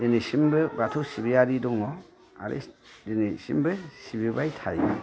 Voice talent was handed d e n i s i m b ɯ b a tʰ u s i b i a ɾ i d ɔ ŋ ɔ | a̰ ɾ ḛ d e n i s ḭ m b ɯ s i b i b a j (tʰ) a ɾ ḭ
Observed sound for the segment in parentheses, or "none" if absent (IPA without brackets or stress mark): tʰ